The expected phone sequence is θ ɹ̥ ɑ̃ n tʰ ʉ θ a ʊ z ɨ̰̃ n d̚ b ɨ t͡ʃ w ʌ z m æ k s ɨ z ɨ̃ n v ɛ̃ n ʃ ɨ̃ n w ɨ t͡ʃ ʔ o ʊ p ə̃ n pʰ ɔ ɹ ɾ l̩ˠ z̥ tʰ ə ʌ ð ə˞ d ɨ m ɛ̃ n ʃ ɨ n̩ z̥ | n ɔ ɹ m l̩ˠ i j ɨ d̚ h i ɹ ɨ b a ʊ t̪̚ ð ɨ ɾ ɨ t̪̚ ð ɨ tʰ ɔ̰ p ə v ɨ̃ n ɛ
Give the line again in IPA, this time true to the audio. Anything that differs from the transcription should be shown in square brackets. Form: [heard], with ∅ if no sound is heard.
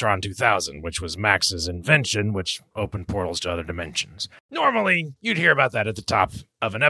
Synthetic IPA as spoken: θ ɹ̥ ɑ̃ n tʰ ʉ θ a ʊ z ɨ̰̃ n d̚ [w] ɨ t͡ʃ w ʌ z m æ k s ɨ z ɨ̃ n v ɛ̃ n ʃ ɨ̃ n w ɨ t͡ʃ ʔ o ʊ p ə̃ n pʰ ɔ ɹ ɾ l̩ˠ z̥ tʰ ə ʌ ð ə˞ d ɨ m ɛ̃ n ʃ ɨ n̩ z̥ | n ɔ ɹ m l̩ˠ i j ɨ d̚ h i ɹ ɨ b a ʊ t̪̚ ð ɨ ɾ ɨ t̪̚ ð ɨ tʰ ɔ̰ p [ʌ] v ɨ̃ n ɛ